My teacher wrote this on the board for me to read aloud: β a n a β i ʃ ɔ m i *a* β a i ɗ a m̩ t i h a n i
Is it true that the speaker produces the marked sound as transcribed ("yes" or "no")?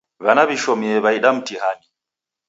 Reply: no